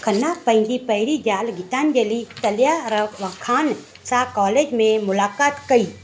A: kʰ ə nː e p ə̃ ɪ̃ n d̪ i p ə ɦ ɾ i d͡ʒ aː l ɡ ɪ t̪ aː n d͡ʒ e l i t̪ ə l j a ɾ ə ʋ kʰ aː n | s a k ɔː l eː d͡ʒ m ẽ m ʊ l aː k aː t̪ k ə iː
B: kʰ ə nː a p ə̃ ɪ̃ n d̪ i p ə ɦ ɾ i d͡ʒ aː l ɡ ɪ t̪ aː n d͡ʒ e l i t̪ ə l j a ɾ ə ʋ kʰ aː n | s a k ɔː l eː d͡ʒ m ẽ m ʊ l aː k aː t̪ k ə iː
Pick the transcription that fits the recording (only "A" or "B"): B